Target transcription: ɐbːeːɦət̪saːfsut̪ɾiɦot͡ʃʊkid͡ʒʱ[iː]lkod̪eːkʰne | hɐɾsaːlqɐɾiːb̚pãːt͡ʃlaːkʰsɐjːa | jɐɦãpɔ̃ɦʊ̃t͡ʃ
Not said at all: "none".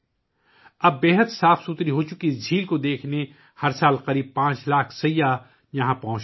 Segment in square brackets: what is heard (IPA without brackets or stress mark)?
iː